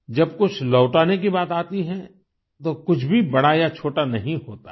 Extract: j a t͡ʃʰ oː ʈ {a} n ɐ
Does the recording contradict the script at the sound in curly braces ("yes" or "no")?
no